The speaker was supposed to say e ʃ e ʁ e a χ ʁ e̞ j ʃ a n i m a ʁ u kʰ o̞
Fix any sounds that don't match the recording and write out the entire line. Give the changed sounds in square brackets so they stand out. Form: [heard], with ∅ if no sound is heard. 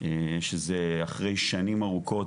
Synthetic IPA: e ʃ e [z] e a χ ʁ e̞ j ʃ a n i m a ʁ u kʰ o̞